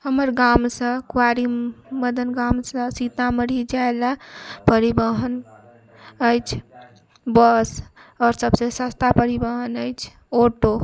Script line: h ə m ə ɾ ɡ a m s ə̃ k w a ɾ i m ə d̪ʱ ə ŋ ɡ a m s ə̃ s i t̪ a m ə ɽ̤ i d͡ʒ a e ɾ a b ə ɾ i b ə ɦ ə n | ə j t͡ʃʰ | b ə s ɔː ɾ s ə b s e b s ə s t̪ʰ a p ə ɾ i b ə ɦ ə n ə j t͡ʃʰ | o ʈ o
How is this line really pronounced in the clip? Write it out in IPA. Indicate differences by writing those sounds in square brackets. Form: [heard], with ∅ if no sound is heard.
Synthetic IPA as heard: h ə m ə ɾ ɡ a m s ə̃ k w a ɾ i m ə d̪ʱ ə [n] ɡ a m s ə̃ s i t̪ a m ə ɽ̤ i d͡ʒ a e [l] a [p] ə ɾ i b ə ɦ ə n | ə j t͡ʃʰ | b ə s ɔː ɾ s ə b s e [∅] s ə s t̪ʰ a p ə ɾ i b ə ɦ ə n ə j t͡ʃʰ | o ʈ o